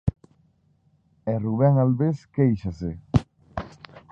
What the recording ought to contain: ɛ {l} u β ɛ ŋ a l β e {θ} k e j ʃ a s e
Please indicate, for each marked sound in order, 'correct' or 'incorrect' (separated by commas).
incorrect, incorrect